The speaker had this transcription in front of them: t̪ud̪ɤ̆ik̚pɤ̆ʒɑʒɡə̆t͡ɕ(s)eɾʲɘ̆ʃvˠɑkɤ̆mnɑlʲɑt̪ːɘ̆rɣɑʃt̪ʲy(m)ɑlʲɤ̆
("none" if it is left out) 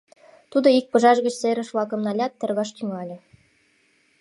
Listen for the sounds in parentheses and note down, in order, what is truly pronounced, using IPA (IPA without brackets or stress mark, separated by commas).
s, ŋ